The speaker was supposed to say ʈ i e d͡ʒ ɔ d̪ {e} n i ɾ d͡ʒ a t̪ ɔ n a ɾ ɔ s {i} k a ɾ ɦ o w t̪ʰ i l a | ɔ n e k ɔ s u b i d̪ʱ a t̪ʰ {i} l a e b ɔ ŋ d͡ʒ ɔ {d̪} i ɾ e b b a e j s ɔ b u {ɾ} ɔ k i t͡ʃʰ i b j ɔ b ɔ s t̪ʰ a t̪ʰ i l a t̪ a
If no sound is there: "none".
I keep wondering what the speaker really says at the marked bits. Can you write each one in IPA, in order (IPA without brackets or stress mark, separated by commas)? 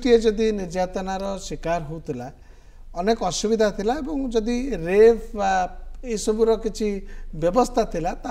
i, i, i, d̪, ɾ